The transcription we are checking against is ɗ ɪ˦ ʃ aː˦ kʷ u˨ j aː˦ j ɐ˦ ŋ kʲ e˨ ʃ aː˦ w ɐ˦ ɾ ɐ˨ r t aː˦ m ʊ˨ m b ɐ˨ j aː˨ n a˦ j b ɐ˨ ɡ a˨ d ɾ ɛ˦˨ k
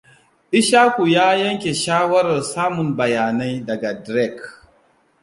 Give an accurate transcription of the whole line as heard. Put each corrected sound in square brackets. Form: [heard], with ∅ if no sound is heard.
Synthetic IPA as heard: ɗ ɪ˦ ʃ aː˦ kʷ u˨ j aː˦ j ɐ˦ ŋ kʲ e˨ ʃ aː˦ w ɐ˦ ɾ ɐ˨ r [s] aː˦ m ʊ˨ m b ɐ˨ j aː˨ n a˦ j [d] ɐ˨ ɡ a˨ d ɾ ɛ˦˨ k